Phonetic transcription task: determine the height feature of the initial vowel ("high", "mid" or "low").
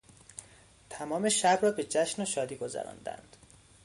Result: low